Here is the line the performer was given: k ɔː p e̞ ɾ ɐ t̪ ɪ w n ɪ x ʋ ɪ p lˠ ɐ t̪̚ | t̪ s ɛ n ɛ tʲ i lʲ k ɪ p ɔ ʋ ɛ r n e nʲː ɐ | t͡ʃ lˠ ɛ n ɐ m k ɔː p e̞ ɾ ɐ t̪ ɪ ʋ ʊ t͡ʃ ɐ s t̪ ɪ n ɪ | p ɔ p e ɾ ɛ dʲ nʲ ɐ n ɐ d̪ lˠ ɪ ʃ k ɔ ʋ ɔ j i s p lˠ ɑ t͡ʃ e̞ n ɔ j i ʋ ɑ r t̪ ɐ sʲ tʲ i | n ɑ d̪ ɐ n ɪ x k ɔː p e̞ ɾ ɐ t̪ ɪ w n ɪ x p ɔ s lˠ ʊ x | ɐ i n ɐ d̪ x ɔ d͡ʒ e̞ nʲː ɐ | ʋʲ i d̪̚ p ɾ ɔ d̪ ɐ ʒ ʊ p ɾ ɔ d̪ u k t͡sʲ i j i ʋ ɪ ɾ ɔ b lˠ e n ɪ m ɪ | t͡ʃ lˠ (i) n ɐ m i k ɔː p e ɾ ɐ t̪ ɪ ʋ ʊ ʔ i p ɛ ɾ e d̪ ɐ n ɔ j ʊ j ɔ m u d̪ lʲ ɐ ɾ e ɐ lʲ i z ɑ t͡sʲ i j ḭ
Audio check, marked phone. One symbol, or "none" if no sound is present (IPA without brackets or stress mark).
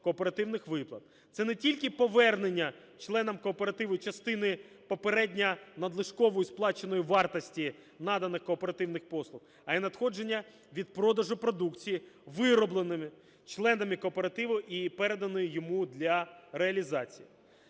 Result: ɛ